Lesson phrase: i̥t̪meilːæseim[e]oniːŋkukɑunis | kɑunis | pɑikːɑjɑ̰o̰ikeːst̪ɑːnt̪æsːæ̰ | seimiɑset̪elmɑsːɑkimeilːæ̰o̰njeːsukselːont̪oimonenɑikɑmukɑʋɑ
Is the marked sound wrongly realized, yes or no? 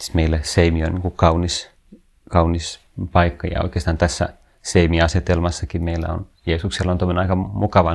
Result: yes